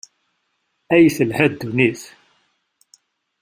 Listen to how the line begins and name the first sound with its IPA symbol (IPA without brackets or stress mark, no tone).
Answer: æ